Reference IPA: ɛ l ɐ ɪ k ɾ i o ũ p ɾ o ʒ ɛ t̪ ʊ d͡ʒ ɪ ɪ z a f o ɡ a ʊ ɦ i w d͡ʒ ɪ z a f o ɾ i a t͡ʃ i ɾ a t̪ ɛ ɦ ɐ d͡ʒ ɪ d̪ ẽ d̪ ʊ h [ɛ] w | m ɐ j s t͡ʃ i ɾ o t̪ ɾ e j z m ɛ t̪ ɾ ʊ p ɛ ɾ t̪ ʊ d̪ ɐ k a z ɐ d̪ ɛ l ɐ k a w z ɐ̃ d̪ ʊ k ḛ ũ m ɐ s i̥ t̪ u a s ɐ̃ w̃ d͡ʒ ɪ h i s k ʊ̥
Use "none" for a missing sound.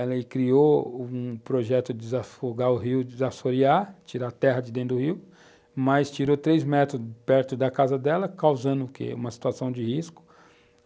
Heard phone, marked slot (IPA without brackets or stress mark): i